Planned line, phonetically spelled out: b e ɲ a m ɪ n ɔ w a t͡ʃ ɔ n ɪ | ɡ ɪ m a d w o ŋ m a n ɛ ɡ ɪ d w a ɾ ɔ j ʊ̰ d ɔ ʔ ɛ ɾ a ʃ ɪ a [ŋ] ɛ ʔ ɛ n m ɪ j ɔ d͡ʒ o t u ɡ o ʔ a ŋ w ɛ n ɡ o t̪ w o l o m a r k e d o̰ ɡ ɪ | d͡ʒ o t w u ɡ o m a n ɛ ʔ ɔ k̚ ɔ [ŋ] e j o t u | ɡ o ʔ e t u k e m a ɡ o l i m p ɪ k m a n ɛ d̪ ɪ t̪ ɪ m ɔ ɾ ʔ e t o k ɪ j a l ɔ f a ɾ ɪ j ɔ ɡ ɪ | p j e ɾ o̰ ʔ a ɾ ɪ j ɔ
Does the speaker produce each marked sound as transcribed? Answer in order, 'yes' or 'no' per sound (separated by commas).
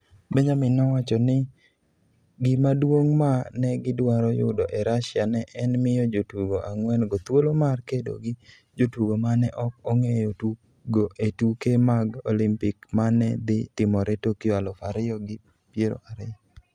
no, yes